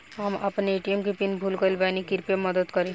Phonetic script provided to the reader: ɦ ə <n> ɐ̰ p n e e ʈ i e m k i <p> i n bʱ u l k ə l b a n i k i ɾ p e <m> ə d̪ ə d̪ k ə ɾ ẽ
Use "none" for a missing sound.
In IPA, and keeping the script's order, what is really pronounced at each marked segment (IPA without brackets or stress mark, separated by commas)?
m, p, m